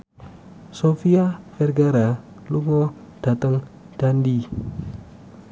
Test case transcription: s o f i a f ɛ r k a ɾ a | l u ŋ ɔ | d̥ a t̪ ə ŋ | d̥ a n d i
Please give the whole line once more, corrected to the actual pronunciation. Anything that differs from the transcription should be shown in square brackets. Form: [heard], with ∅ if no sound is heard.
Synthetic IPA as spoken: s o f i a f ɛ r [ɡ] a ɾ a | l u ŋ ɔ | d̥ a t̪ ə ŋ | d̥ a n d i